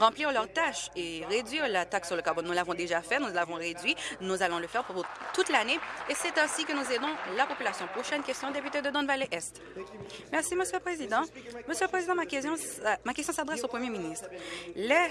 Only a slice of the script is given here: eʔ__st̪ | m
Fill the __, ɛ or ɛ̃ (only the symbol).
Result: ɛ